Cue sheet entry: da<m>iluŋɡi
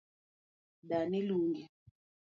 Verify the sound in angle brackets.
incorrect: n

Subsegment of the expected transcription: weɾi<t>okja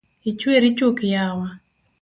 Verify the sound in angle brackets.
incorrect: t͡ʃ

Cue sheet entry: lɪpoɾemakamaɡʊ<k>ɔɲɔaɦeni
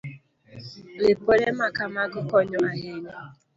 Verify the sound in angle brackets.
correct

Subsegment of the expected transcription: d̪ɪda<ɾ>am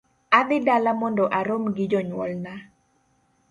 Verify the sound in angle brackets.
incorrect: l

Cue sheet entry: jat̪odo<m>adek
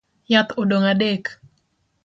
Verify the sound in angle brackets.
incorrect: ŋ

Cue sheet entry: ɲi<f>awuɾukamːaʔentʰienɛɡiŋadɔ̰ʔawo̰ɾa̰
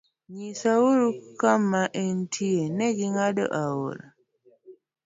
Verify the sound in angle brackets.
incorrect: s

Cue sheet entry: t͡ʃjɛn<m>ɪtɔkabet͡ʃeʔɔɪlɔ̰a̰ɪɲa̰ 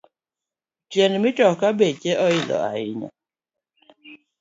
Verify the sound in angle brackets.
correct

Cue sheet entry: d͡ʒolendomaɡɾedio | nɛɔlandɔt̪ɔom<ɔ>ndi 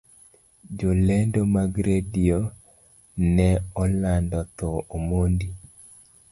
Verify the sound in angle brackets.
incorrect: o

